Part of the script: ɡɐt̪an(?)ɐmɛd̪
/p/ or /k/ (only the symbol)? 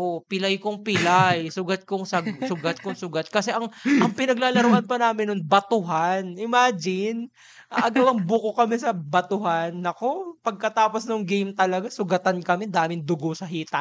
k